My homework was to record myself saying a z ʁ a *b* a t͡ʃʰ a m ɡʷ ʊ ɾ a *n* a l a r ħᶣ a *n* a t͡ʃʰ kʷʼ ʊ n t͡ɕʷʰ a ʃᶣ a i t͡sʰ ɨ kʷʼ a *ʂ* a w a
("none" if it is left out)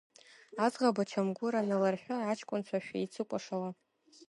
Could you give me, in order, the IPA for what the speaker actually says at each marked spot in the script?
b, n, none, ʂ

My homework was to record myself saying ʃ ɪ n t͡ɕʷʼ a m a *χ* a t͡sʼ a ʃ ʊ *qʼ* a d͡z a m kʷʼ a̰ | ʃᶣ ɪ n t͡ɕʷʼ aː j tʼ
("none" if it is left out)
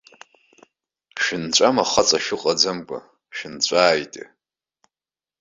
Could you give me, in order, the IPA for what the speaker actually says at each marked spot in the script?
χ, qʼ

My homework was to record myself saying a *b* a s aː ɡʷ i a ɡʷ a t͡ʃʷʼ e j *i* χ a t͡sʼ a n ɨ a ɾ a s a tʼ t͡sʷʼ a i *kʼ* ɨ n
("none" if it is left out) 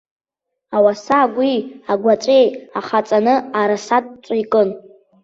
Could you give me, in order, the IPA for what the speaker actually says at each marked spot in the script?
w, a, kʼ

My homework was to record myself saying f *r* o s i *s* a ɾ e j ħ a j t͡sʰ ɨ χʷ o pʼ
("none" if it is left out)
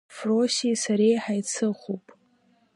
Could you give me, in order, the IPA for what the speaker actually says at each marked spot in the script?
r, s

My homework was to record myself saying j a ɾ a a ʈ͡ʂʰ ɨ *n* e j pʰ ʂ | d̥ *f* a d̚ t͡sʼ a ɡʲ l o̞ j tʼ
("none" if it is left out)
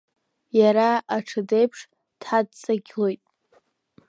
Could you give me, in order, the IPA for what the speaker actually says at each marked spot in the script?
d, ħ

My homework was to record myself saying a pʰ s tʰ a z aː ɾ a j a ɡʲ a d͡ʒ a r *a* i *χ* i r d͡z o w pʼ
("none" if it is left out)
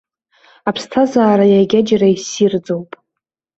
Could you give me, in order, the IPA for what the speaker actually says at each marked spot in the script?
a, s

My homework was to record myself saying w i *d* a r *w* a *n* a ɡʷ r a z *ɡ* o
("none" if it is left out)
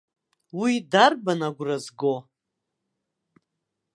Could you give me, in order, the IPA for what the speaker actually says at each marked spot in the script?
d, b, n, ɡ

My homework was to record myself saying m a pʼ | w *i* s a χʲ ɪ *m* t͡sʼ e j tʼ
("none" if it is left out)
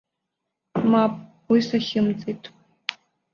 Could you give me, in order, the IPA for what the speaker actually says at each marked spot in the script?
i, m

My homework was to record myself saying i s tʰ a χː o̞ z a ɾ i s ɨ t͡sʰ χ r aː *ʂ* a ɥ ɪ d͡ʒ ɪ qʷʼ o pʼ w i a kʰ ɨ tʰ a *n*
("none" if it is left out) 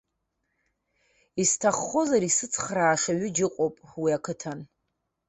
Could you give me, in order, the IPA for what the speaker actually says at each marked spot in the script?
ʂ, n

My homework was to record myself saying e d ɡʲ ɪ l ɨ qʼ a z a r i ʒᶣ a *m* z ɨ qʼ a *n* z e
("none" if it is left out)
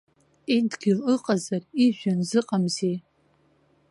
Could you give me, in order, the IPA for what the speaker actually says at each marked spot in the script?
n, m

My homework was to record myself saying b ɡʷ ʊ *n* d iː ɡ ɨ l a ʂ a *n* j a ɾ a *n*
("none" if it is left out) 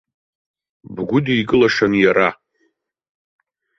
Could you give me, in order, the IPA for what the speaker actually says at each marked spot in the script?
none, n, none

